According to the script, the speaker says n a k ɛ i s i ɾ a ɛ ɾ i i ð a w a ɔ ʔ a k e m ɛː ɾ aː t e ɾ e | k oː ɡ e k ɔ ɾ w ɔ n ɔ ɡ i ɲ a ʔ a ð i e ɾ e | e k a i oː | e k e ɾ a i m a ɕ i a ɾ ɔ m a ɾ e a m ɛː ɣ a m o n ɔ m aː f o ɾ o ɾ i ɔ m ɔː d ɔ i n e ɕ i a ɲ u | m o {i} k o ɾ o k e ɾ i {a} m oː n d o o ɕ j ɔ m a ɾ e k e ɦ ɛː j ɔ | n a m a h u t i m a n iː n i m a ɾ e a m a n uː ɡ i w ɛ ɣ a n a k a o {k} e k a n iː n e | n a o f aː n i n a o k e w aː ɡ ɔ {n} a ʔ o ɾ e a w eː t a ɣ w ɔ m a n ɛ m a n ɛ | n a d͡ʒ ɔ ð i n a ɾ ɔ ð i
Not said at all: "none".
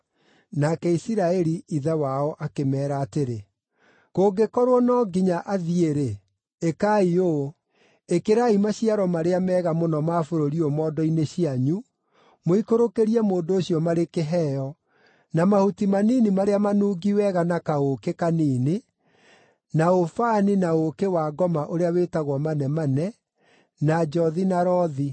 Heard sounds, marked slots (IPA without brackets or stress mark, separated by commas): i, ɛ, k, m